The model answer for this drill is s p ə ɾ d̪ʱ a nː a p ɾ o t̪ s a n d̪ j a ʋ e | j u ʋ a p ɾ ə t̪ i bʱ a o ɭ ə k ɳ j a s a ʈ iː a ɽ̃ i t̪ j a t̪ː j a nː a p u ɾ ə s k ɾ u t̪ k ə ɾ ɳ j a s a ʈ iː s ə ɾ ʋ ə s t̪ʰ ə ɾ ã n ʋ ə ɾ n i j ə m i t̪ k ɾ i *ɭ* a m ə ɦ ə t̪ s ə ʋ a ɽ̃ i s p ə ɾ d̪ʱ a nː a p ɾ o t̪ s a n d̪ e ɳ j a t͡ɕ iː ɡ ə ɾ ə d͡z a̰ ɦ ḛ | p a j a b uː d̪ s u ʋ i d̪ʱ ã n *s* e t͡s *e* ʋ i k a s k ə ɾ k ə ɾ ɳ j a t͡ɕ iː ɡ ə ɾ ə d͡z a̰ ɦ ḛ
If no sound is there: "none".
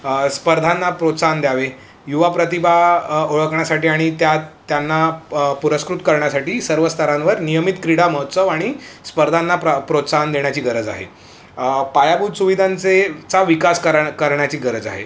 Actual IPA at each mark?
ɽ, t͡s, a

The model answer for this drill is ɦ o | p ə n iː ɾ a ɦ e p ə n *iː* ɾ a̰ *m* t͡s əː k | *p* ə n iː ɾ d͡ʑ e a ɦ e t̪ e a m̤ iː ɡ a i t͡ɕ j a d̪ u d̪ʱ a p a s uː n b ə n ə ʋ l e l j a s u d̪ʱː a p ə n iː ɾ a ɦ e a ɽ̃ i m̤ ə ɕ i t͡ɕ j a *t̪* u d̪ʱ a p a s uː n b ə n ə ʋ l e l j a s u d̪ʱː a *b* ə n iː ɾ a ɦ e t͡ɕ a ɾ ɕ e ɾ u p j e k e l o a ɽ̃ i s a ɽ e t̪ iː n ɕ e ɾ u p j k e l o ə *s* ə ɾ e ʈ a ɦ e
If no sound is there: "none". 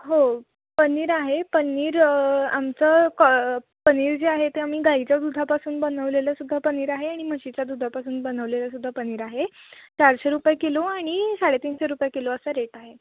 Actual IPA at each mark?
iː, m, p, d̪, p, s

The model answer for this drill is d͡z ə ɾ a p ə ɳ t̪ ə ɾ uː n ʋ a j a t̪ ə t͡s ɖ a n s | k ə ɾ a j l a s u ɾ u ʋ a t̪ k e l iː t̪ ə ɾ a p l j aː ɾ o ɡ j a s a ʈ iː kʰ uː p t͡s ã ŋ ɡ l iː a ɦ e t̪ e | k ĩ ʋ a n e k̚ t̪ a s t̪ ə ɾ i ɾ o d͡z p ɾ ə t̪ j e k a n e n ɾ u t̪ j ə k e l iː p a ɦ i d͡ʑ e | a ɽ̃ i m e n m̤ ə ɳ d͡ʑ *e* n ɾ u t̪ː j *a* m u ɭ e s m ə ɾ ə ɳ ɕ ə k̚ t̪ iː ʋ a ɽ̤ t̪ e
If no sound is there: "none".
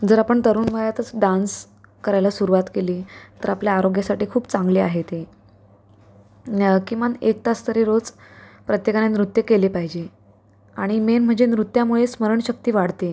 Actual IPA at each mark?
e, a

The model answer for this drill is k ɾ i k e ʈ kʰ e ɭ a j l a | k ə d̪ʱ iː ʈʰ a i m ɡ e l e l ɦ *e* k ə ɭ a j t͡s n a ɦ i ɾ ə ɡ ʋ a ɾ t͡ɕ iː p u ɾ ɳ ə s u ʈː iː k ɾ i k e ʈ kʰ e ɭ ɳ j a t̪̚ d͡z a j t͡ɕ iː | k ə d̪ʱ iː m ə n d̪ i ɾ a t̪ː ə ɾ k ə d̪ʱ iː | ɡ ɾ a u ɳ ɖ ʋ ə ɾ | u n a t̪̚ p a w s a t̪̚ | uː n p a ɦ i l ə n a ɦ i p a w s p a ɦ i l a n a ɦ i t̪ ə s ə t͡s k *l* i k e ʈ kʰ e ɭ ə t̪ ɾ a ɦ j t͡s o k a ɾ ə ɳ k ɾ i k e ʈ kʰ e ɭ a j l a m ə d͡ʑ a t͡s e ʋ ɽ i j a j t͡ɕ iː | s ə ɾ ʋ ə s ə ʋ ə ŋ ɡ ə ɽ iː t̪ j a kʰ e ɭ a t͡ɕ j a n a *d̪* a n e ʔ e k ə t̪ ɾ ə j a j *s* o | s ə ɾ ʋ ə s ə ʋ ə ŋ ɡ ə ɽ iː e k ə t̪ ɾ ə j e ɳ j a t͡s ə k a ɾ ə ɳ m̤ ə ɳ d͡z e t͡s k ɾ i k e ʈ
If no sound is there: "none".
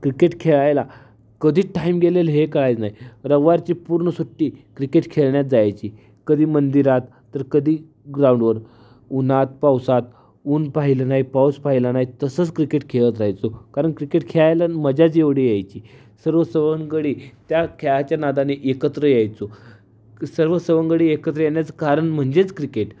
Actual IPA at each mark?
e, ɾ, d̪, t͡s

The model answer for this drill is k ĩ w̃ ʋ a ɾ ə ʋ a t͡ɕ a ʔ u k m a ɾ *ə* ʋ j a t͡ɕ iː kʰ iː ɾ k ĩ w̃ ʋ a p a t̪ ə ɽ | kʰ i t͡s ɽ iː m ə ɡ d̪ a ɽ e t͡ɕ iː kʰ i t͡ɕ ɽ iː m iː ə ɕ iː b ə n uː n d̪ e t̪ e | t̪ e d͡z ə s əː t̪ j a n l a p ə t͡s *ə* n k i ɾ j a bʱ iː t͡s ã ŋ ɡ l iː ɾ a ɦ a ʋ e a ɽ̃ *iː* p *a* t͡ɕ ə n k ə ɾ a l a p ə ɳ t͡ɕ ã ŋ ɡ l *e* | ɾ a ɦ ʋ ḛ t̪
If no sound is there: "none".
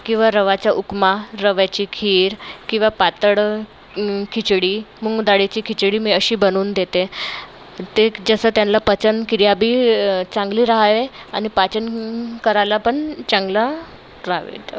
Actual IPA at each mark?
ə, ə, i, a, a

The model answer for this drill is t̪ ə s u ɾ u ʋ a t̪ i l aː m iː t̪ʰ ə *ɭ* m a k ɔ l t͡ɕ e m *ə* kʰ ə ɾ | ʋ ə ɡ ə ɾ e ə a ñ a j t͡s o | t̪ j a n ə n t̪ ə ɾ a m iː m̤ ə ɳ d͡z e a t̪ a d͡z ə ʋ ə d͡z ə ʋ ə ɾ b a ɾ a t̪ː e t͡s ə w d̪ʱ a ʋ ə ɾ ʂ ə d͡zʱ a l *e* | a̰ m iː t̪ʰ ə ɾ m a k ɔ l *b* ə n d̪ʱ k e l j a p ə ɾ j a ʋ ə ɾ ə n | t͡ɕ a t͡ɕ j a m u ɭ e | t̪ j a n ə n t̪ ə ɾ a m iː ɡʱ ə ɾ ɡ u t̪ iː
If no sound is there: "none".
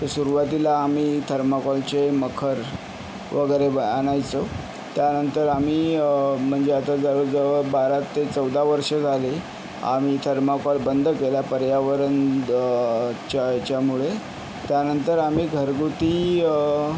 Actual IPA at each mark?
ɾ, ə, e, b

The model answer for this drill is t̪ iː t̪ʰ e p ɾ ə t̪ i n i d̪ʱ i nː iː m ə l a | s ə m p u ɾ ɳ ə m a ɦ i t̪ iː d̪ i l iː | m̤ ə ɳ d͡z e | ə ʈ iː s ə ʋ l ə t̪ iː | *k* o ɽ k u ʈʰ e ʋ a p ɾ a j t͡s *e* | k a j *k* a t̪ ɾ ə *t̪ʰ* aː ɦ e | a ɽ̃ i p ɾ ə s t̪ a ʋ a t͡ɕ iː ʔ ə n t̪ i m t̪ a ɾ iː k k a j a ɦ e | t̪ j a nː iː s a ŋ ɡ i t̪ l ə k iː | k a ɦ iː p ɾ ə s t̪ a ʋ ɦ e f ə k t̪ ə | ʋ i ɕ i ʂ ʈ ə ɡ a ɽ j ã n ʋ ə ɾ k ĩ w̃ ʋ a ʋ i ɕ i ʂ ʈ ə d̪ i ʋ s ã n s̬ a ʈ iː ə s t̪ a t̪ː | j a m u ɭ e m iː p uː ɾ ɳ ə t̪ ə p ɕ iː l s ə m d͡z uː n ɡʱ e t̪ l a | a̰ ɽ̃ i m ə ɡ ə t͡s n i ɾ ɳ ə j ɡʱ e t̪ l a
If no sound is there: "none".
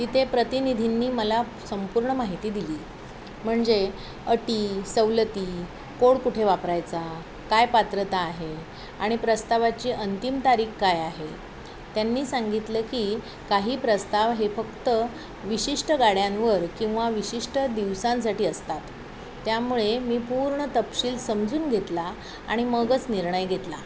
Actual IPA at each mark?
k, a, p, t̪

